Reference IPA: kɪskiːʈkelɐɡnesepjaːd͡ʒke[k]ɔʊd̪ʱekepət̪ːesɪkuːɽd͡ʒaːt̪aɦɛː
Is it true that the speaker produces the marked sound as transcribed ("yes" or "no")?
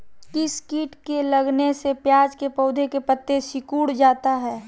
no